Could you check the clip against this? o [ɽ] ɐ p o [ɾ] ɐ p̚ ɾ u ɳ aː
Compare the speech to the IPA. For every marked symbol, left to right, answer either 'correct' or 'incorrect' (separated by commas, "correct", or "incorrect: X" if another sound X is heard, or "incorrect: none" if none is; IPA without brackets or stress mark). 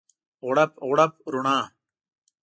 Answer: correct, incorrect: ɽ